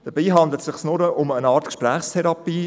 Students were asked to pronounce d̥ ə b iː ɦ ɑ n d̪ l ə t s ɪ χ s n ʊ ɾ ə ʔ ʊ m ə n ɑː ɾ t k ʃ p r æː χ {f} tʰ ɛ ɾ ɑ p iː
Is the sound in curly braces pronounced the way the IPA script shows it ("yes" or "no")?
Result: no